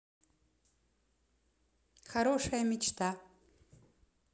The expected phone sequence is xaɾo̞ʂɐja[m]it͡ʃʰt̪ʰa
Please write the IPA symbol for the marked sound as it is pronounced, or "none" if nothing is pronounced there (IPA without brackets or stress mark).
m